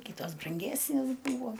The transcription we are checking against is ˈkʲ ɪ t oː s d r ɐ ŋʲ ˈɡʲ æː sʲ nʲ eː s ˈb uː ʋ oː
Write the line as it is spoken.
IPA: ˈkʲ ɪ t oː s b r ɐ ŋʲ ˈɡʲ æː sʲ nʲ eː s ˈb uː ʋ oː